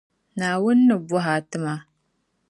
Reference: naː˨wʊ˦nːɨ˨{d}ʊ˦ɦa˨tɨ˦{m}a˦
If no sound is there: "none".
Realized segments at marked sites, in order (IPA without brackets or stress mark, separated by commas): b, m